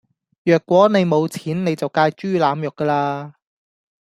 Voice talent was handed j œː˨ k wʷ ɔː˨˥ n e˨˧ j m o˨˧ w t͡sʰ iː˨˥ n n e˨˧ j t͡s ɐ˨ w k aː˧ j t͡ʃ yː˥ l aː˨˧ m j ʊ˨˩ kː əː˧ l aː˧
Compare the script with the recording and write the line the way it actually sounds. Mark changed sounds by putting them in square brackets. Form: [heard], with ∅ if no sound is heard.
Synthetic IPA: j œː˨ k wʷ ɔː˨˥ n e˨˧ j m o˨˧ w t͡sʰ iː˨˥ n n e˨˧ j t͡s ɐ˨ w k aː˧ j t͡ʃ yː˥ l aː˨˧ m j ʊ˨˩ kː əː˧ l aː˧